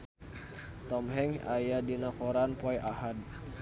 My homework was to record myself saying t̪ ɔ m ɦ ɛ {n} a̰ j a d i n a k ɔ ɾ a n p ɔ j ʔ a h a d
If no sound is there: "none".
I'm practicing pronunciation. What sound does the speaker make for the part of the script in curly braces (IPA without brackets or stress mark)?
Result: ŋ